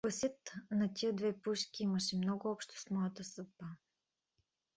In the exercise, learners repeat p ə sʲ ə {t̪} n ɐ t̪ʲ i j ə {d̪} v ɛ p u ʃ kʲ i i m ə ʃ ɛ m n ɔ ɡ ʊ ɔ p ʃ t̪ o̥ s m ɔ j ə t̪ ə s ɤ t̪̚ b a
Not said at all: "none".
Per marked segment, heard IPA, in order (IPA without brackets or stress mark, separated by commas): t̪, d̪